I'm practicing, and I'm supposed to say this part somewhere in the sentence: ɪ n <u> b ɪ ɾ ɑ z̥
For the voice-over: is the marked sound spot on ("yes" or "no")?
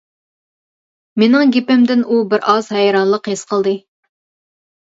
yes